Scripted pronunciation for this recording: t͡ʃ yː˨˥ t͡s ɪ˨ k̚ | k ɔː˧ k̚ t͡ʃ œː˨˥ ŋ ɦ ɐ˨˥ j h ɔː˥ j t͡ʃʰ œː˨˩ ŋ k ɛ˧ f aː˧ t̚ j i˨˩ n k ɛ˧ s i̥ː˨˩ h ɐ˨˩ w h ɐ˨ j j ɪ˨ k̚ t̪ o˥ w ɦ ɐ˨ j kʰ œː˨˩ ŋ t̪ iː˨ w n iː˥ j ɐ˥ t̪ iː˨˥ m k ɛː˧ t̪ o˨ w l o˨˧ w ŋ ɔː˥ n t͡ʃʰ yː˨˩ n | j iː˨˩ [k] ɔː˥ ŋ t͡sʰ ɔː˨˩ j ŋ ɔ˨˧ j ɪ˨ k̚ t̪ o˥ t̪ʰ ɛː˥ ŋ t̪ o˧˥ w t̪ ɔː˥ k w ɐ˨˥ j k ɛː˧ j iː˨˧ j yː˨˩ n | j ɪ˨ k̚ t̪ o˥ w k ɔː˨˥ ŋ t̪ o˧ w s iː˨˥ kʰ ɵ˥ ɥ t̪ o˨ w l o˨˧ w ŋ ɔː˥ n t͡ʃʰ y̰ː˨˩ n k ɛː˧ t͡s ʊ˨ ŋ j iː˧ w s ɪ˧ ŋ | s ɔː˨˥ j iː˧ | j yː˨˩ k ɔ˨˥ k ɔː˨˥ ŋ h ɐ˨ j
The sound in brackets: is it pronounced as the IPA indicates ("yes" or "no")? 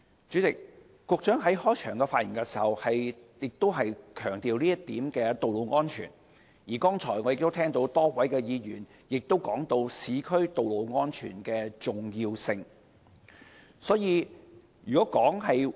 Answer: yes